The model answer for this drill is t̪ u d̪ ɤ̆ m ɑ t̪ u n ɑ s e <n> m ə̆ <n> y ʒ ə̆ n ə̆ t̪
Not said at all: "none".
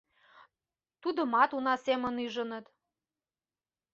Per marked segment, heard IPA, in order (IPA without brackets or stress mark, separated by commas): none, n